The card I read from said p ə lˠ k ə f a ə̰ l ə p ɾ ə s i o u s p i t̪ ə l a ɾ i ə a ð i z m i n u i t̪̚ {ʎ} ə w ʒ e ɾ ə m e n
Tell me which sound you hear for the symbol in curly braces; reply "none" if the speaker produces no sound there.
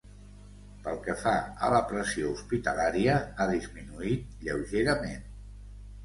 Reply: ʎ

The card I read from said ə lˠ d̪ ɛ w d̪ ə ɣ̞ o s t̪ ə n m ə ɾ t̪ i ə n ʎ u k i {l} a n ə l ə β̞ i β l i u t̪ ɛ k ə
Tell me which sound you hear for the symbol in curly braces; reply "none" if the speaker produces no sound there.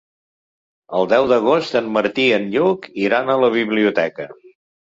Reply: ɾ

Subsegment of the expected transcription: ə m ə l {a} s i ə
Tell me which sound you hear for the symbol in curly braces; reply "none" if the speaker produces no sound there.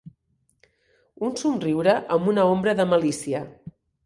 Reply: i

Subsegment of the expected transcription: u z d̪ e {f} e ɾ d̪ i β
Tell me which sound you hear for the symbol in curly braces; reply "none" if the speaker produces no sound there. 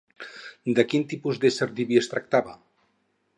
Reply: s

